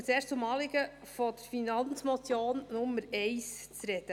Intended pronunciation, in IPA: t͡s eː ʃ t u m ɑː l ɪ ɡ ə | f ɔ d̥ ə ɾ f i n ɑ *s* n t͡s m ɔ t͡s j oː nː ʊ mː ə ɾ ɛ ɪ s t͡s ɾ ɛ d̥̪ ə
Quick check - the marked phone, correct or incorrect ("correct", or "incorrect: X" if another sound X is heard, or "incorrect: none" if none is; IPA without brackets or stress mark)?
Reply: incorrect: none